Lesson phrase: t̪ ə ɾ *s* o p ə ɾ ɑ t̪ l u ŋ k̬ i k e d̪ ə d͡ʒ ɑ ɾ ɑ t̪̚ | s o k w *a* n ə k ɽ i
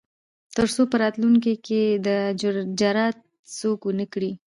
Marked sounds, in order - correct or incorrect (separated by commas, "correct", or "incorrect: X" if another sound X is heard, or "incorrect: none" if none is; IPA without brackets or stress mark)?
correct, incorrect: ə